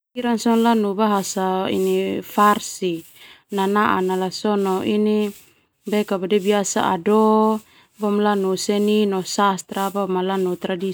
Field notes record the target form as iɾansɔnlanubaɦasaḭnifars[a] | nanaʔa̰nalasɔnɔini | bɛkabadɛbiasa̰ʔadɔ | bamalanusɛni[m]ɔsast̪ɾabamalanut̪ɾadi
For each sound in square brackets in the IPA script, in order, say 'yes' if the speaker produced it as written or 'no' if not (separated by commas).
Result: no, no